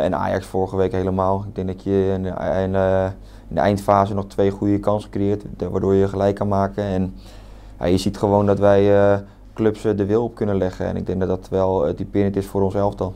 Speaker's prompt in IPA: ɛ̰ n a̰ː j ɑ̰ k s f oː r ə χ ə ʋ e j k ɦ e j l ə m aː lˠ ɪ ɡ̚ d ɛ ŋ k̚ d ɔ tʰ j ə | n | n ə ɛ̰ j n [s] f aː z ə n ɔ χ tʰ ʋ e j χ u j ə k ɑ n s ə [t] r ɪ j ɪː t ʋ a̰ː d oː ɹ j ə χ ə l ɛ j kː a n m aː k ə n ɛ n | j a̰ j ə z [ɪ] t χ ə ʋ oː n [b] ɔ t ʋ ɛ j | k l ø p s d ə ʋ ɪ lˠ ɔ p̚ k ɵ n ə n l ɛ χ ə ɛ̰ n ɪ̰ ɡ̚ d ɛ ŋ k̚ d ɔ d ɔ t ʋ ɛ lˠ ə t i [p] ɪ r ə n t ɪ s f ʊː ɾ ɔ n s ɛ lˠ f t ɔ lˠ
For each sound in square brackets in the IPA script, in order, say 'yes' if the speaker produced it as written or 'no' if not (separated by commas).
no, no, no, no, yes